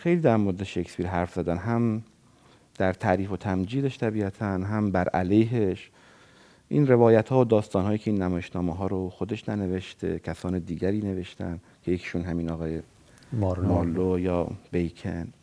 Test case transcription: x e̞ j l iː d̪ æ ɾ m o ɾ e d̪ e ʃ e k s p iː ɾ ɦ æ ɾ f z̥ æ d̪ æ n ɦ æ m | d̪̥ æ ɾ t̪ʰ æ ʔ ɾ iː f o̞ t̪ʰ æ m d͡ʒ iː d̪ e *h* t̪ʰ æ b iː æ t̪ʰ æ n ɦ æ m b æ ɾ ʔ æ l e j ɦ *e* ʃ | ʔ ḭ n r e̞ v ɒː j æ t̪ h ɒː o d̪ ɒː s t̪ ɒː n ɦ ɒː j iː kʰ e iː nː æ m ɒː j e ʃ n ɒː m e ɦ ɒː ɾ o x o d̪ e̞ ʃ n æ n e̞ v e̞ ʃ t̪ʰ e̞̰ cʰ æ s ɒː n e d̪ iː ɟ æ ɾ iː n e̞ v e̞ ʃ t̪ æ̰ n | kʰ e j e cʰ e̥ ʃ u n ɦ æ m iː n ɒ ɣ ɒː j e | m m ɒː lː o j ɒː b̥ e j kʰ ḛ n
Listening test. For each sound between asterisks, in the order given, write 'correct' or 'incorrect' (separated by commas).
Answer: incorrect, correct